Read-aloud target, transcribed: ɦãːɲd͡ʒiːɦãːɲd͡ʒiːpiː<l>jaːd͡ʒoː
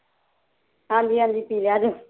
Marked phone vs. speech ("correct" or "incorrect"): correct